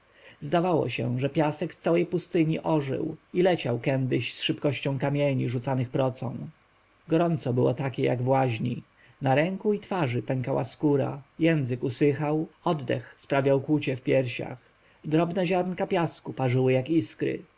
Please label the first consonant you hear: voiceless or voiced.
voiced